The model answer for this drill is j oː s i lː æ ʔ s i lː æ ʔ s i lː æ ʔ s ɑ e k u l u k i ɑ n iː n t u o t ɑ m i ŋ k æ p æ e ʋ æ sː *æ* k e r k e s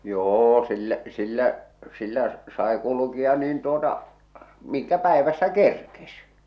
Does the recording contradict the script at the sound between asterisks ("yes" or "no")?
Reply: no